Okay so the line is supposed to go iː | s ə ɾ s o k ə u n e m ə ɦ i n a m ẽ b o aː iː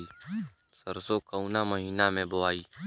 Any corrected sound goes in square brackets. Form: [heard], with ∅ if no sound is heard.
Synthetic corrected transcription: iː | s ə ɾ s o k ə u n [a] m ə ɦ [iː] n a m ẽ b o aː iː